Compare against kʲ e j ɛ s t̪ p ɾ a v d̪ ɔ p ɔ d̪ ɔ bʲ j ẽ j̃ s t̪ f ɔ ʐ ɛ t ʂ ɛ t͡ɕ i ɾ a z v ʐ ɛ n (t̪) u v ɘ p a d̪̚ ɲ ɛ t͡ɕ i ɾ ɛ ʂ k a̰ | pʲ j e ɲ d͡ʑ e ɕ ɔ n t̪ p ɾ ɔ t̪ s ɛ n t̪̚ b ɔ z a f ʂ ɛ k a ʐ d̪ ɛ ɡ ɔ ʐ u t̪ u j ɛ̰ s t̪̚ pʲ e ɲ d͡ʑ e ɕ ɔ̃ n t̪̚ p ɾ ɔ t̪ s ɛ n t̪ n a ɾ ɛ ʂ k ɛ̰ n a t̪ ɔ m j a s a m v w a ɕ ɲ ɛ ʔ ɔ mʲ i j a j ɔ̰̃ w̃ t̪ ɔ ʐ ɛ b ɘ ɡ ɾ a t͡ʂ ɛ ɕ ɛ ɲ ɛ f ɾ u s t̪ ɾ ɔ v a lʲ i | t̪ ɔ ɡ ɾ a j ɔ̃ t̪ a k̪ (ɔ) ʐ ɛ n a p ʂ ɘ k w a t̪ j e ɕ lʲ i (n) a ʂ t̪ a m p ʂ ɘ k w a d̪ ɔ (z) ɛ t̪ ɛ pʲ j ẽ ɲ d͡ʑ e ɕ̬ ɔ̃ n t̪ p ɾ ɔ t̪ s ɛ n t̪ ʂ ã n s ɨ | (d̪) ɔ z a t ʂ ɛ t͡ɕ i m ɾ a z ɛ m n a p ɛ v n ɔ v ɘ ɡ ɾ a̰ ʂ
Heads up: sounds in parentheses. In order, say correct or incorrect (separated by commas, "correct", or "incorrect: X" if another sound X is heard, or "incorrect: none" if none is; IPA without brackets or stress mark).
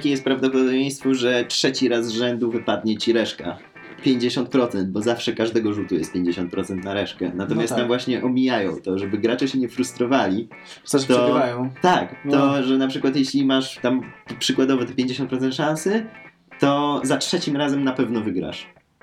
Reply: incorrect: d̪, correct, incorrect: m, incorrect: v, incorrect: t̪